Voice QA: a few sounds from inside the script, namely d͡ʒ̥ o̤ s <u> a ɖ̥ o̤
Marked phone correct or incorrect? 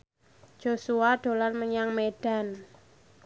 correct